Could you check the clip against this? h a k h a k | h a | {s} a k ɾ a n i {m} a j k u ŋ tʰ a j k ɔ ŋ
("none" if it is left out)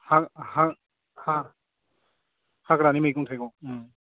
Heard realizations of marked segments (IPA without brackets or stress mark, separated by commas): h, m